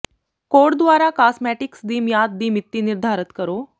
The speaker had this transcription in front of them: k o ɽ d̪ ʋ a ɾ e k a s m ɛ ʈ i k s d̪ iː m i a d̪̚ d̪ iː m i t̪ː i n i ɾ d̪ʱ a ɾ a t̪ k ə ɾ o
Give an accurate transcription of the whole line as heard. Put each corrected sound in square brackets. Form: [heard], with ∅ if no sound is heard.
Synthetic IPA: k o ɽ d̪ ʋ a ɾ [a] k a s m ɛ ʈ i k s d̪ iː m [j] a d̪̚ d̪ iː m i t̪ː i n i ɾ d̪ʱ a ɾ [ə] t̪ k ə ɾ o